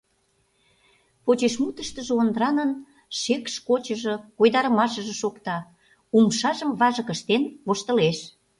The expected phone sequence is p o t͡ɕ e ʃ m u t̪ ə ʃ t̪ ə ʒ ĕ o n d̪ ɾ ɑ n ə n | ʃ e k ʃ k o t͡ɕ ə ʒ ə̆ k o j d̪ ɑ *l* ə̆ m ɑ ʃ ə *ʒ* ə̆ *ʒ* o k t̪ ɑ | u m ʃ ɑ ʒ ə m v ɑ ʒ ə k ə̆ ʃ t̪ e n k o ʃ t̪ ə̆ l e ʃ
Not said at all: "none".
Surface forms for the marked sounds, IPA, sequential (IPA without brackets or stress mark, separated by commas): ɾ, ʒ, ʃ